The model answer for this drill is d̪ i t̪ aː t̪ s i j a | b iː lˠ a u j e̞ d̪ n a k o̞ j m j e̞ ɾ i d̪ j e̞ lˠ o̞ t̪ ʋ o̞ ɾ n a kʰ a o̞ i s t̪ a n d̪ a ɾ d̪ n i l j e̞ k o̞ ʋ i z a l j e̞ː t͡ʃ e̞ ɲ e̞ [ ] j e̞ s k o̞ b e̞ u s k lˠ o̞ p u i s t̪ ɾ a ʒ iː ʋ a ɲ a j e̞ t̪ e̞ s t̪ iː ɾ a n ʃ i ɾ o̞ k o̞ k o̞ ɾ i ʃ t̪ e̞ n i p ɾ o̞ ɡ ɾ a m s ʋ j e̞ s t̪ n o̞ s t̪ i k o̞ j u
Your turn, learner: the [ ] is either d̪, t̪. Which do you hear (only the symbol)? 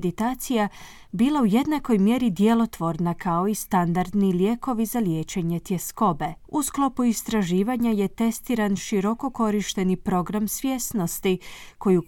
t̪